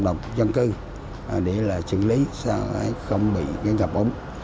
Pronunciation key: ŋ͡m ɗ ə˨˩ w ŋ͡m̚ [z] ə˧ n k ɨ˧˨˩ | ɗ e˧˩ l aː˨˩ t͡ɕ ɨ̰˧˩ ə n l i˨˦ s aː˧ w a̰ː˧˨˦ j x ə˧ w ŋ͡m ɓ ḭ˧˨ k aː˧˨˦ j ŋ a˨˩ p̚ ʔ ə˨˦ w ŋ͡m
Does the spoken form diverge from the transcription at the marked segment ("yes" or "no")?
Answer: no